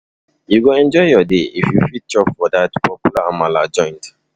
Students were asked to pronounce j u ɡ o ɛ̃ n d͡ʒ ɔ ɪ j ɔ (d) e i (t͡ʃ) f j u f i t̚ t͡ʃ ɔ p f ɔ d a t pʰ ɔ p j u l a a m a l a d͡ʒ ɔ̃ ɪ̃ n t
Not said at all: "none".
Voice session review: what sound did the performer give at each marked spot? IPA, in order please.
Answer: d, none

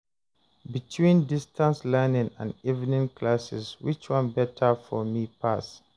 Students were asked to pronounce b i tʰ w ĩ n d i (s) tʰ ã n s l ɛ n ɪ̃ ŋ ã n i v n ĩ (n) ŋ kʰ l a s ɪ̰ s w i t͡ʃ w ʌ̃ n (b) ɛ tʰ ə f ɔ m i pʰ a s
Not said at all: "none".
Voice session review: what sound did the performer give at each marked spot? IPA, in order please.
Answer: s, none, b

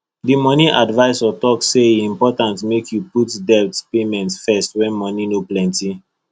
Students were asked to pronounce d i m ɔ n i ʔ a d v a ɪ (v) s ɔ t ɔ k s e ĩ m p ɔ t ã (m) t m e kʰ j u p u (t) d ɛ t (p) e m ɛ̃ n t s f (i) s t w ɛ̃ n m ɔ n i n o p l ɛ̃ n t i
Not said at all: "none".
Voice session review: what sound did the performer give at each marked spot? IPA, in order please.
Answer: none, n, t, p, ɛ

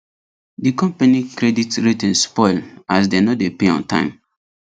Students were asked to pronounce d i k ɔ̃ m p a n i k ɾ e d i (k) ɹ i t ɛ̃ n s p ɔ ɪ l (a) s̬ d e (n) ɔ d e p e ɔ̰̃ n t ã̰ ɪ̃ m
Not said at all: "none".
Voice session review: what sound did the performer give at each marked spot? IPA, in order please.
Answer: t, a, n

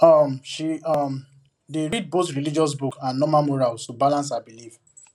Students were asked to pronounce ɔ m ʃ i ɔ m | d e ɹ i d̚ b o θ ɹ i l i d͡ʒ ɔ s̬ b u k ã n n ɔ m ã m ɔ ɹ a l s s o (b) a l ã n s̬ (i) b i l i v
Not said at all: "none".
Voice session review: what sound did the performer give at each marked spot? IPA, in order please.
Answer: b, a

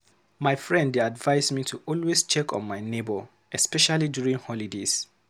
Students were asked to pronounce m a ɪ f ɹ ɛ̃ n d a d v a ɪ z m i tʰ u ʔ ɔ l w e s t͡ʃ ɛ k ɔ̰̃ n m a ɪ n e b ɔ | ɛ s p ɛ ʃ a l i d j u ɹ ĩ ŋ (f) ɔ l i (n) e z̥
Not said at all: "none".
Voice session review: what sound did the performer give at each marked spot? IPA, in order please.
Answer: h, d

